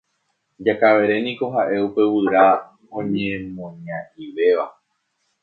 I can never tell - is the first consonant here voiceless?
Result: no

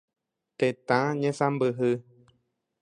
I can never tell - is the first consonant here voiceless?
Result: yes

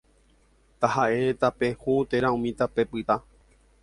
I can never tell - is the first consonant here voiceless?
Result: yes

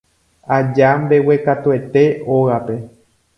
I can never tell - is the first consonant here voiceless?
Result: no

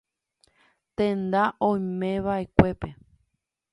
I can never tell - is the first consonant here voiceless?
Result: yes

